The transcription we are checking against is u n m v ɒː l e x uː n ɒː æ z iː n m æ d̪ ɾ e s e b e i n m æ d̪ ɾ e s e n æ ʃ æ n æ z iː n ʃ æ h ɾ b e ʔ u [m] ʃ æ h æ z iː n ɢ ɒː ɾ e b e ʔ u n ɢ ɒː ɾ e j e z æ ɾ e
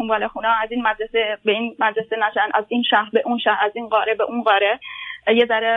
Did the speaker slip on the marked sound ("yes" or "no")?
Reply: yes